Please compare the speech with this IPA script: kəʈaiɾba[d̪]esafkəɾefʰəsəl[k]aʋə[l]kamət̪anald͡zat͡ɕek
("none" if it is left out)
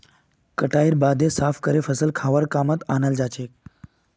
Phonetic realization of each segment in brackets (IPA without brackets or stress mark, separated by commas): d̪, kʰ, ɾ